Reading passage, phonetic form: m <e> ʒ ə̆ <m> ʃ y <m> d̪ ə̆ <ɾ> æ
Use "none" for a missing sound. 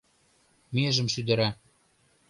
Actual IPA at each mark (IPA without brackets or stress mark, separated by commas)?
e, m, none, ɾ